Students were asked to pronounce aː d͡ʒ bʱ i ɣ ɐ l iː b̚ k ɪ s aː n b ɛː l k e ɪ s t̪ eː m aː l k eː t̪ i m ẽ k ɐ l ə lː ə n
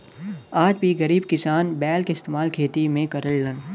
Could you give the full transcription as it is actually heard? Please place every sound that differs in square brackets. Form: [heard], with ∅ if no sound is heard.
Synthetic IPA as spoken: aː d͡ʒ bʱ i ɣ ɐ [ɾ] iː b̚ k ɪ s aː n b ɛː l k e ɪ s t̪ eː m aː l [kʰ] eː t̪ i m ẽ k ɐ [ɾ] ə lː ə n